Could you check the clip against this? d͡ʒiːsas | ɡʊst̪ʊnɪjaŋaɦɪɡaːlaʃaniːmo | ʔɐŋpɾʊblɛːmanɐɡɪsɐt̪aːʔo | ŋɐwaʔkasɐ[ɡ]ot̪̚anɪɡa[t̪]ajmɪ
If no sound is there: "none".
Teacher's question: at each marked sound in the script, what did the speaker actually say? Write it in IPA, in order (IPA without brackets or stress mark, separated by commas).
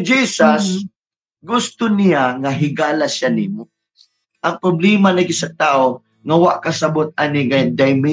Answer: b, d̪